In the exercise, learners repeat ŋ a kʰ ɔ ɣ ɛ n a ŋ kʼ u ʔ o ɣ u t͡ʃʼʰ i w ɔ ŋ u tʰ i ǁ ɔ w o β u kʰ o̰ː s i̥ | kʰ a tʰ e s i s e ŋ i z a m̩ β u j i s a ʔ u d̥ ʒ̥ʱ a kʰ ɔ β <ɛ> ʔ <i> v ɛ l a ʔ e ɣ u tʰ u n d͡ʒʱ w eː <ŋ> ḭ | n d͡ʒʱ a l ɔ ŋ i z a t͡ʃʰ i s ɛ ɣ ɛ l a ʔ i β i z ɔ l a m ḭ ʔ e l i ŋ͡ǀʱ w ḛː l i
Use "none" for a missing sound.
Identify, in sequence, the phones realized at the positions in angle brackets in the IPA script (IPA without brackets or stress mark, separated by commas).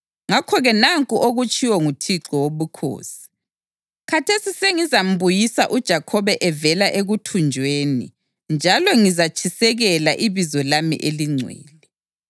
ɛ, ɛ, n